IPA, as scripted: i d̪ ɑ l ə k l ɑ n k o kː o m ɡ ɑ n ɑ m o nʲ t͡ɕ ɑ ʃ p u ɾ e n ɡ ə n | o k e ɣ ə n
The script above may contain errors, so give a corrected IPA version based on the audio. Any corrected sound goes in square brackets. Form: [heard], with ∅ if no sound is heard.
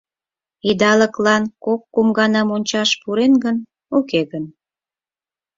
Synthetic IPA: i d̪ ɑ l ə k l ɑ n k o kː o m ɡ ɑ n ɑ m o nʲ t͡ɕ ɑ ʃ p u ɾ e n ɡ ə n | o k e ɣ ə n